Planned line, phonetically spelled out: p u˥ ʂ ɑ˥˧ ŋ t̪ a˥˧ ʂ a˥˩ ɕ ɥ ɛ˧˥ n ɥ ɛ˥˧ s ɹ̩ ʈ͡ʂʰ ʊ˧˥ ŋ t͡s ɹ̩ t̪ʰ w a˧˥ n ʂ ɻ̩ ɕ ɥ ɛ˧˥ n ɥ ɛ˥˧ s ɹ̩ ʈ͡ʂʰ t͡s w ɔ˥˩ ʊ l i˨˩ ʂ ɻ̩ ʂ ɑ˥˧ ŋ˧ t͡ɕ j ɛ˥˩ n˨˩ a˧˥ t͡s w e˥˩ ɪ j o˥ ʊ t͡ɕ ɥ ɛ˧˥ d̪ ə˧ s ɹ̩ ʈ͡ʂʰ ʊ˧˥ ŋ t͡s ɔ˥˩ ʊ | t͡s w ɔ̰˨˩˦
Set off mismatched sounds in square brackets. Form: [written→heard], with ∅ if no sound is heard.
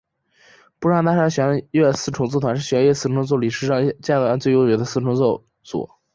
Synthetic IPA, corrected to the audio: p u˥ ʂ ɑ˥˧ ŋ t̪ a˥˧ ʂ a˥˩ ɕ ɥ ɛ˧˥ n ɥ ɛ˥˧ s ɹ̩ ʈ͡ʂʰ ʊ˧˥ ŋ t͡s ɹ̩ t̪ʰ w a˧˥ n ʂ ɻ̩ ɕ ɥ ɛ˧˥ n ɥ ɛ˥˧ s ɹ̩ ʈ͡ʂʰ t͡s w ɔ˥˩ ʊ l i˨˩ ʂ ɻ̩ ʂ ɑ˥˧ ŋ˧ t͡ɕ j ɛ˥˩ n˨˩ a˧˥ t͡s w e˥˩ ɪ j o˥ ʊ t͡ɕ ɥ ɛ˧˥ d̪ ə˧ s ɹ̩ ʈ͡ʂʰ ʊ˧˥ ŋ t͡s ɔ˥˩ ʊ | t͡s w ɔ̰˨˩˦